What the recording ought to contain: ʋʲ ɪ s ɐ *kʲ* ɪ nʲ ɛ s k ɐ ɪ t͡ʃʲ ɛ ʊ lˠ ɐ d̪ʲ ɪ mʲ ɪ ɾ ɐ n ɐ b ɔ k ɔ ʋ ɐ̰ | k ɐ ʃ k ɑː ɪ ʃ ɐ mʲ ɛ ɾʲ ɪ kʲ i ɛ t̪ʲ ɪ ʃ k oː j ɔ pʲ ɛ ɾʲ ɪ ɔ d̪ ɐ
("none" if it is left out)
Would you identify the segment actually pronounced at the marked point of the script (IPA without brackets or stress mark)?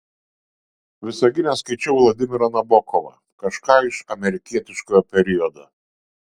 ɡʲ